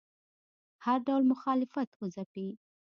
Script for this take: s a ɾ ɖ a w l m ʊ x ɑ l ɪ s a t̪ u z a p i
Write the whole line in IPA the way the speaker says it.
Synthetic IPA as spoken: h a ɾ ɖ a w l m ʊ x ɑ l ɪ f a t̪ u z a p i